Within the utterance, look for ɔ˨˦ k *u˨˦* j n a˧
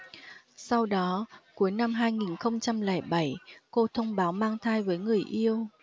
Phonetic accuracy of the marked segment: correct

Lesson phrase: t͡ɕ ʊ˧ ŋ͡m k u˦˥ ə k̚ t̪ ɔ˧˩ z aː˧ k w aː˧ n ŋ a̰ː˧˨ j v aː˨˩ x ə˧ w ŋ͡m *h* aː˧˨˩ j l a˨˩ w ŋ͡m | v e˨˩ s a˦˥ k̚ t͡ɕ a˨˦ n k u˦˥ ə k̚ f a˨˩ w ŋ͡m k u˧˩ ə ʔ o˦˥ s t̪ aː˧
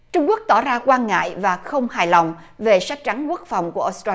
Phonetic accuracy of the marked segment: correct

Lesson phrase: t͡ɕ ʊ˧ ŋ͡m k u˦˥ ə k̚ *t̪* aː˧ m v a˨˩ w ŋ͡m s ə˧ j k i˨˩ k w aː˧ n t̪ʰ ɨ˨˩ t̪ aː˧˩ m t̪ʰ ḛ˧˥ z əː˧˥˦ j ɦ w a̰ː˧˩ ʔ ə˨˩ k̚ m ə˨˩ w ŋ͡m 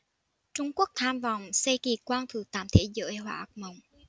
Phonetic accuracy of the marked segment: incorrect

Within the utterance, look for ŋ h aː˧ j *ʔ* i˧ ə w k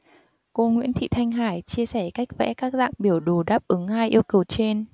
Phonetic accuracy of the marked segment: correct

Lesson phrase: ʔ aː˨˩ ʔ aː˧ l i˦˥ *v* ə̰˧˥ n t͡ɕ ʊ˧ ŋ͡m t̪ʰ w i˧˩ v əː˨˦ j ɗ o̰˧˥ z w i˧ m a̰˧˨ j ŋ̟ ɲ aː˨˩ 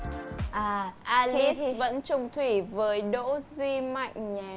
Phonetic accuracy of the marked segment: correct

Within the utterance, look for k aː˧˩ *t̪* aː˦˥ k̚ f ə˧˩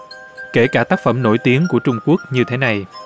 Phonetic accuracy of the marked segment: correct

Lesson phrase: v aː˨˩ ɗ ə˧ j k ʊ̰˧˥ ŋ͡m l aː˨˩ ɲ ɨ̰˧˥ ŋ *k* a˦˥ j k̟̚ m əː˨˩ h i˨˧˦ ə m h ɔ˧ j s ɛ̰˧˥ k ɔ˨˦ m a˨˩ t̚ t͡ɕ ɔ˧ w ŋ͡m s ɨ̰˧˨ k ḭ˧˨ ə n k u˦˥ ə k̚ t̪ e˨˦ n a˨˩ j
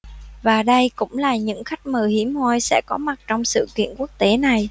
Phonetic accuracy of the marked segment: incorrect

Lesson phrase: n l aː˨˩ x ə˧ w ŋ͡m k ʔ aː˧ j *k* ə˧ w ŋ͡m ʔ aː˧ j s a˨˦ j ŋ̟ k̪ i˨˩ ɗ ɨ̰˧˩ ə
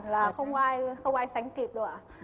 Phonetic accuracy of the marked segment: incorrect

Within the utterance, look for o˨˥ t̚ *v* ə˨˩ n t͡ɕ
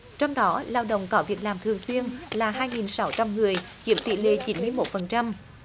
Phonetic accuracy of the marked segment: incorrect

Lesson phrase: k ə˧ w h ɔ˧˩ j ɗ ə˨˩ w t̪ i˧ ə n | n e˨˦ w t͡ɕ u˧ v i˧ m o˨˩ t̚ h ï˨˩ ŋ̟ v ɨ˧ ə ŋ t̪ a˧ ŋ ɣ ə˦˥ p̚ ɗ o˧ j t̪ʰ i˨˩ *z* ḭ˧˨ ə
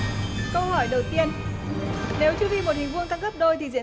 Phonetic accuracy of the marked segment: correct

